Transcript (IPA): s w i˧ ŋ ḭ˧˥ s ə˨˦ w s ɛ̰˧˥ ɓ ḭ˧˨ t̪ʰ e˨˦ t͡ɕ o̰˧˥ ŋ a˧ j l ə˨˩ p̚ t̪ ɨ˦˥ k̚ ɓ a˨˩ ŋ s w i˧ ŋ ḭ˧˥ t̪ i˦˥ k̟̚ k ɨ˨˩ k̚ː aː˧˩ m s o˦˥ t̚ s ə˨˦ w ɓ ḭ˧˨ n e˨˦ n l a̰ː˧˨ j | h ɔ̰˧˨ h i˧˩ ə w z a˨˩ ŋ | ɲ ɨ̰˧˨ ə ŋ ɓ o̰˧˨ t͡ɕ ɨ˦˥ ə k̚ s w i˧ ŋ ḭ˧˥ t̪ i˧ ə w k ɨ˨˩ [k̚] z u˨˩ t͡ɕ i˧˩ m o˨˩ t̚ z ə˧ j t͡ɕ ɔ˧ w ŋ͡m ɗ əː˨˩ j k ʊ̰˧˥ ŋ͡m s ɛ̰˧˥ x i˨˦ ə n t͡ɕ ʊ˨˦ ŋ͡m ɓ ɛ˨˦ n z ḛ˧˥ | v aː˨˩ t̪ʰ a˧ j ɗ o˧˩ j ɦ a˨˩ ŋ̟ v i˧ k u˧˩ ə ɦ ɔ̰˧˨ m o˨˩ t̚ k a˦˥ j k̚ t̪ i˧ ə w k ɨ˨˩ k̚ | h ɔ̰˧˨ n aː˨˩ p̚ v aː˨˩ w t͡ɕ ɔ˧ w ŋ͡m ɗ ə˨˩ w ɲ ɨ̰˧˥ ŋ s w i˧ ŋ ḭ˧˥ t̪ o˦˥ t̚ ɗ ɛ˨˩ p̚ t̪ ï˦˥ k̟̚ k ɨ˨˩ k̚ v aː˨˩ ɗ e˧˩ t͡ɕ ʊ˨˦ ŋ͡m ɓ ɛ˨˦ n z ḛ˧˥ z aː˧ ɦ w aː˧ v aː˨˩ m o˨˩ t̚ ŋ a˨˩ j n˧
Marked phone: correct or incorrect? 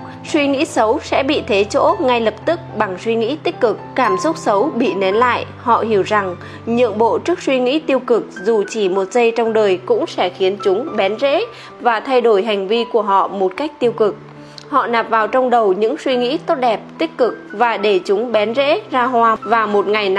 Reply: correct